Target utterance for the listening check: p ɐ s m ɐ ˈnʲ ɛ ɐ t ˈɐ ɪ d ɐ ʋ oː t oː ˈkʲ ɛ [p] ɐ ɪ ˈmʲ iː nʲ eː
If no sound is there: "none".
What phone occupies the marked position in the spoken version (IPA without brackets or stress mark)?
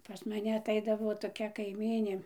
k